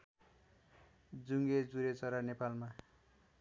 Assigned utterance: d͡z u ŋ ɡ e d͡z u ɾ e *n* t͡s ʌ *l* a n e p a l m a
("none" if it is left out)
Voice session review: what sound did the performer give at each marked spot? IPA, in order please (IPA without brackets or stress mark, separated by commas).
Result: none, ɾ